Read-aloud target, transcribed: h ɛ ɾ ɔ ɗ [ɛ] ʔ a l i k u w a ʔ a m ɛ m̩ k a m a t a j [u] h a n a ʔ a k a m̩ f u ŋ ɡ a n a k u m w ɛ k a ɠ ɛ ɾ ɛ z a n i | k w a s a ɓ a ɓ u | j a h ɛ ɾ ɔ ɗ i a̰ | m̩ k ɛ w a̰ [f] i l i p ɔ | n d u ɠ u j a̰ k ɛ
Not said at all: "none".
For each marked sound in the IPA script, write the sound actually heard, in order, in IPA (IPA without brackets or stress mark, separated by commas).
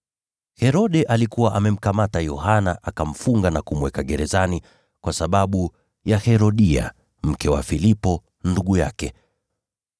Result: ɛ, ɔ, f